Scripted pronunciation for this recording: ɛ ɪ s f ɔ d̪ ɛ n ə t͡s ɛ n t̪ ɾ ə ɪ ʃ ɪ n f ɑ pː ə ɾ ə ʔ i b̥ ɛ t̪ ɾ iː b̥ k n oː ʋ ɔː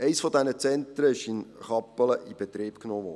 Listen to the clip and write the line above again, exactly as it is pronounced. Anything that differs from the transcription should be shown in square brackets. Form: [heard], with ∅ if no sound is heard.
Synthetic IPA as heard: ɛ ɪ s f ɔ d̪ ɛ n ə t͡s ɛ n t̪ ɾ ə ɪ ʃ ɪ n [χ] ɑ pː ə [l] ə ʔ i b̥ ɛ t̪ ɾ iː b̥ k n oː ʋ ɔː

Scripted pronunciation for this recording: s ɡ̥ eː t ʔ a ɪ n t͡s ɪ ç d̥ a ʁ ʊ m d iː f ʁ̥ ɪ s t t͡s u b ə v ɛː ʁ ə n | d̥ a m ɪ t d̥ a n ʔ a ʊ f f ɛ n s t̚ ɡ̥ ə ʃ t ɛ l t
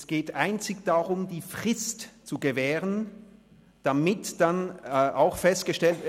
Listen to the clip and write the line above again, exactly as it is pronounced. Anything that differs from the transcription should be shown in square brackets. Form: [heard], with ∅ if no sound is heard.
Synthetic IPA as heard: s ɡ̥ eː t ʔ a ɪ n t͡s ɪ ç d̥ a ʁ ʊ m d iː f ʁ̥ ɪ s t t͡s u [ɡ] ə v ɛː ʁ ə n | d̥ a m ɪ t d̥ a n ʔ a ʊ [x] f ɛ [∅] s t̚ ɡ̥ ə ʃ t ɛ l t

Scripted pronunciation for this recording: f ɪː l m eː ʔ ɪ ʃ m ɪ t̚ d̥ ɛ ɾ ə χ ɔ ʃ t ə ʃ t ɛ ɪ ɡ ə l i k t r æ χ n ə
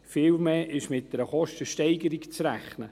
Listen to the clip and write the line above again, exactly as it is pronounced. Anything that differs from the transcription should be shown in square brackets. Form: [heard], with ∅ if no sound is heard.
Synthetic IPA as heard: f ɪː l m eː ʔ ɪ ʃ m ɪ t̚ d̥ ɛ ɾ ə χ ɔ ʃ t ə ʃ t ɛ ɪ ɡ ə [ɾ] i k [t͡s] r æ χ n ə

